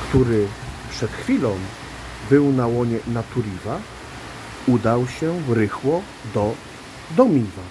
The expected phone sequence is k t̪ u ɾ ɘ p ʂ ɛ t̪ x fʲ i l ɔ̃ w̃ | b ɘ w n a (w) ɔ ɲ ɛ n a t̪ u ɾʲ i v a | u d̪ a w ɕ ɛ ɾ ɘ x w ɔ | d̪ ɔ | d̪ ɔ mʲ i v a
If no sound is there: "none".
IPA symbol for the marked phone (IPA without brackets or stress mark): w